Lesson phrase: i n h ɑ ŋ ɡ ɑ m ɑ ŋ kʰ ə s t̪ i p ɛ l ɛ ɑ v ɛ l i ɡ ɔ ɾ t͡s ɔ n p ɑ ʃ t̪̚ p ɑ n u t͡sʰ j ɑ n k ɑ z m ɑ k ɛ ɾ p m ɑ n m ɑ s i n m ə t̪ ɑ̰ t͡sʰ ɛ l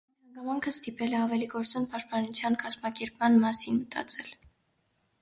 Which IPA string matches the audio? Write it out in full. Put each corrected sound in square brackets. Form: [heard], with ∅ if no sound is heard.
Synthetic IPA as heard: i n h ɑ ŋ ɡ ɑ m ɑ ŋ kʰ ə s t̪ i p ɛ l ɛ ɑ v ɛ l i ɡ ɔ ɾ t͡s ɔ n p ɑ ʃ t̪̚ p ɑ n u t͡sʰ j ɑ n k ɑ z m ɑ k ɛ ɾ p m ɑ n m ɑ s i n m ə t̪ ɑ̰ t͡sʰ ɛ l